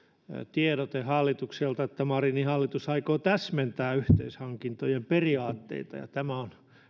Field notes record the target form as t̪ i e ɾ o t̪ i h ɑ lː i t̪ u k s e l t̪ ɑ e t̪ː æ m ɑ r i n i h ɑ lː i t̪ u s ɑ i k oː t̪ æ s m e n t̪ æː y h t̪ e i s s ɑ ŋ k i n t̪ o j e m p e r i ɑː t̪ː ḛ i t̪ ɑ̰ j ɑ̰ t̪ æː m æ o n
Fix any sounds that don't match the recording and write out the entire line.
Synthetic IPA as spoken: t̪ i e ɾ o t̪ e h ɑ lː i t̪ u k s e l t̪ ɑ e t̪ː æ m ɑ r i n i h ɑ lː i t̪ u s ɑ i k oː t̪ æ s m e n t̪ æː y h t̪ e i s h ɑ ŋ k i n t̪ o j e m p e r i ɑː t̪ː ḛ i t̪ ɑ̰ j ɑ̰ t̪ æ m æ o n

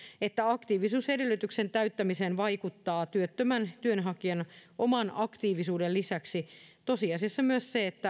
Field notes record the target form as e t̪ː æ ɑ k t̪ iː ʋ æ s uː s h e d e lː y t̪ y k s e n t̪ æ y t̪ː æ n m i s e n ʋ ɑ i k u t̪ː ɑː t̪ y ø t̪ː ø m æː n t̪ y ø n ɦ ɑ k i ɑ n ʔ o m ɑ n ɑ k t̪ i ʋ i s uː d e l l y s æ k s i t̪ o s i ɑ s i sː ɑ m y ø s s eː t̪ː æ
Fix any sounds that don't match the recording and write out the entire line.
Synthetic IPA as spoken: e t̪ː æ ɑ k t̪ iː ʋ i s uː s h e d e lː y t̪ y k s e n t̪ æ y t̪ː æ m i s e n ʋ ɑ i k u t̪ː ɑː t̪ y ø t̪ː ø m æ n t̪ y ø n ɦ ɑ k i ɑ n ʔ o m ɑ n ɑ k t̪ iː ʋ i s uː d e l l i s æ k s i t̪ o s i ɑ s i sː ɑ m y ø s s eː t̪ː æ

